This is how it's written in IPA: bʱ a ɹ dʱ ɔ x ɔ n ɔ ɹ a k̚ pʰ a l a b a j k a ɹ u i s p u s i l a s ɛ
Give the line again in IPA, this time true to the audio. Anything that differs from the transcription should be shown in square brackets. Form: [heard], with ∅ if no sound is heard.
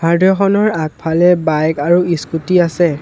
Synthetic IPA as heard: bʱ a ɹ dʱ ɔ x ɔ n ɔ ɹ a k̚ pʰ a l [ɛ] b a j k a ɹ u i s [k] u [t] i [∅] a s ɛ